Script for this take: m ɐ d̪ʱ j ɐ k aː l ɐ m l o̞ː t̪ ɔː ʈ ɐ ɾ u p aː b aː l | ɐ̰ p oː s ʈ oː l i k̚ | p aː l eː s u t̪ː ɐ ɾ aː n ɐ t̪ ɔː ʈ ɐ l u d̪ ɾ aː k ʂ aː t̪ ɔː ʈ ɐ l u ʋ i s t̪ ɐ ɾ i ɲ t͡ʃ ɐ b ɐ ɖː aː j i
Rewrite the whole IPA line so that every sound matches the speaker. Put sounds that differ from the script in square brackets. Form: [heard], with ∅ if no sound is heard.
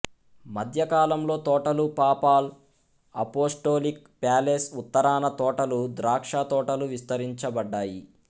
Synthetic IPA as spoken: m ɐ d̪ʱ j ɐ k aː l ɐ m l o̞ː t̪ ɔː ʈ ɐ [l] u p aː [p] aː l | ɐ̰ p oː s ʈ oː l i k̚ | p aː l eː s u t̪ː ɐ ɾ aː n ɐ t̪ ɔː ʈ ɐ l u d̪ ɾ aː k ʂ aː t̪ ɔː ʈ ɐ l u ʋ i s t̪ ɐ ɾ i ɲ t͡ʃ ɐ b ɐ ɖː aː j i

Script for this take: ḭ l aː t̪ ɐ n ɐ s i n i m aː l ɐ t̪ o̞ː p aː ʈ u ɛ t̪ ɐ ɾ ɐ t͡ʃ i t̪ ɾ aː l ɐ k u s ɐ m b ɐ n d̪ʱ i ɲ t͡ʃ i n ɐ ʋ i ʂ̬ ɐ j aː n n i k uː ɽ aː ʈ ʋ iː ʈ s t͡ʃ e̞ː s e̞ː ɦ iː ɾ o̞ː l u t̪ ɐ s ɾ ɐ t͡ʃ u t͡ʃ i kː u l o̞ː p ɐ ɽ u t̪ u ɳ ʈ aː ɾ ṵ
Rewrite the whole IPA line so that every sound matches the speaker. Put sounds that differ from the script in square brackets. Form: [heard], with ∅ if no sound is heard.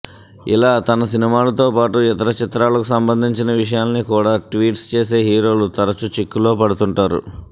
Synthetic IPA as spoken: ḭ l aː t̪ ɐ n ɐ s i n i m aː l ɐ t̪ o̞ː p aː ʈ u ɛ t̪ ɐ ɾ ɐ t͡ʃ i t̪ ɾ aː l ɐ k u s ɐ m b ɐ n d̪ʱ i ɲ t͡ʃ i n ɐ ʋ i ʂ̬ ɐ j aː n n i k uː ɽ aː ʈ ʋ iː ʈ s t͡ʃ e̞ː s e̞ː ɦ iː ɾ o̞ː l u t̪ ɐ [∅] ɾ ɐ t͡ʃ u t͡ʃ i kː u l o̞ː p ɐ ɽ u t̪ u ɳ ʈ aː ɾ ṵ

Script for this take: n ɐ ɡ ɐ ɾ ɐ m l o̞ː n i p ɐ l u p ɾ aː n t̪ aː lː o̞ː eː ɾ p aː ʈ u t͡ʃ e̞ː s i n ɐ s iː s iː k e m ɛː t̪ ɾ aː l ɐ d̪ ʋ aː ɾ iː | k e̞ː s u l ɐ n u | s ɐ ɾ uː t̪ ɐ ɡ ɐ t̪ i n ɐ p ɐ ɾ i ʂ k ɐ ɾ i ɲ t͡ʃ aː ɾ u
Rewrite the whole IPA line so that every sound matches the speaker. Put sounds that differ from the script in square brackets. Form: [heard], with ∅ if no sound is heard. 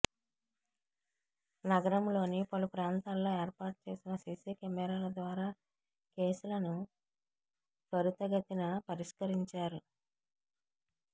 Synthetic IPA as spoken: n ɐ ɡ ɐ ɾ ɐ m l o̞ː n i p ɐ l u p ɾ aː n t̪ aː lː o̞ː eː ɾ p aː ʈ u t͡ʃ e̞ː s i n ɐ s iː s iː k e m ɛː [∅] ɾ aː l ɐ d̪ ʋ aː ɾ [aː] | k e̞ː s u l ɐ n u | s ɐ ɾ [u] t̪ ɐ ɡ ɐ t̪ i n ɐ p ɐ ɾ i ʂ k ɐ ɾ i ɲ t͡ʃ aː ɾ u

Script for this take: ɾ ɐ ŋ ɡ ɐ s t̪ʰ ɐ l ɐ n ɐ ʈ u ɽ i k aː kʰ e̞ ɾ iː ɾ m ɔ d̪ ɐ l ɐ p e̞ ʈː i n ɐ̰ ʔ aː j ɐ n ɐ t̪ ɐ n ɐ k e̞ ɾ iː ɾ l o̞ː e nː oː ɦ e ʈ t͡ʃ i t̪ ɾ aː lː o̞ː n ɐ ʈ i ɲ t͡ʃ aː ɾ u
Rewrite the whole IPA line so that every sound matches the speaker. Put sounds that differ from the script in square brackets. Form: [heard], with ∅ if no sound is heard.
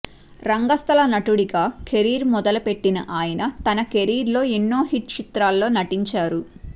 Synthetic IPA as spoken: ɾ ɐ ŋ ɡ ɐ s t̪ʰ ɐ l ɐ n ɐ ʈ u ɽ i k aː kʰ e̞ ɾ iː ɾ m ɔ d̪ ɐ l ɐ p e̞ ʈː i n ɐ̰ ʔ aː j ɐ n ɐ t̪ ɐ n ɐ k e̞ ɾ iː ɾ l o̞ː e nː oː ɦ [i] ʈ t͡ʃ i t̪ ɾ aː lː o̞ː n ɐ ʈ i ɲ t͡ʃ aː ɾ u

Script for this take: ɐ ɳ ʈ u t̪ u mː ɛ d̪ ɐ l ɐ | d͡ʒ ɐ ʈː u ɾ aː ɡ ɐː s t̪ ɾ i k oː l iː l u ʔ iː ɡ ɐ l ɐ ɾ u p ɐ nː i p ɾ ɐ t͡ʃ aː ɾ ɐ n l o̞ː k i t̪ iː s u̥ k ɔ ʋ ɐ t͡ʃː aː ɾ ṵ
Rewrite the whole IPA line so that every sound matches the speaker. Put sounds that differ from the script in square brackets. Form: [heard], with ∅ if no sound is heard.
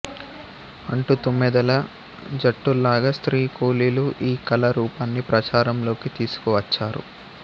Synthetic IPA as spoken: ɐ ɳ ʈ u t̪ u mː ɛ d̪ ɐ l ɐ | d͡ʒ ɐ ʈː u [l] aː ɡ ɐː s t̪ ɾ [iː] k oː l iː l u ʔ iː [k] ɐ l ɐ ɾ [uː] p ɐ nː i p ɾ ɐ t͡ʃ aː ɾ ɐ [m] l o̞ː k i t̪ iː s u̥ k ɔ ʋ ɐ t͡ʃː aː ɾ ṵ

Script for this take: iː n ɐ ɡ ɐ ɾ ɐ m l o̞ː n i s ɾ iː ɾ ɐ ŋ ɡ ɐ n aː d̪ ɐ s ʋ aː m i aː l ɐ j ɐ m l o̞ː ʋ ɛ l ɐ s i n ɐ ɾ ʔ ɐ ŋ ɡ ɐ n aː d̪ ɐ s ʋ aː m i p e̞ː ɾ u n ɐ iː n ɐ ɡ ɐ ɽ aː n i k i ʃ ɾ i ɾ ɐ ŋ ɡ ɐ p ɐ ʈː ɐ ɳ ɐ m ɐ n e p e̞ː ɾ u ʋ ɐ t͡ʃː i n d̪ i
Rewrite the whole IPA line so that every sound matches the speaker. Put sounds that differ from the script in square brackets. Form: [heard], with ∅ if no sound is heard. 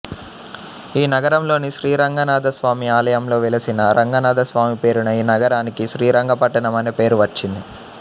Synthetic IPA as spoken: iː n ɐ ɡ ɐ ɾ ɐ m l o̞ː n i [ʃ] ɾ iː ɾ ɐ ŋ ɡ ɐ n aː d̪ ɐ s ʋ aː m i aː l ɐ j ɐ m l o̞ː ʋ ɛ l ɐ s i n ɐ ɾ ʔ ɐ ŋ ɡ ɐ n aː d̪ ɐ s ʋ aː m i p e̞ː ɾ u n ɐ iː n ɐ ɡ ɐ [ɾ] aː n i k i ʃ ɾ [iː] ɾ ɐ ŋ ɡ ɐ p ɐ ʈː ɐ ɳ ɐ m ɐ n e p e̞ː ɾ u ʋ ɐ t͡ʃː i n d̪ i

